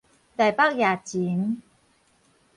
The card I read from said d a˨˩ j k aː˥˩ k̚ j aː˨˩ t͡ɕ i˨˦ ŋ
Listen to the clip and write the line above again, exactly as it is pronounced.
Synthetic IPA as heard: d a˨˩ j p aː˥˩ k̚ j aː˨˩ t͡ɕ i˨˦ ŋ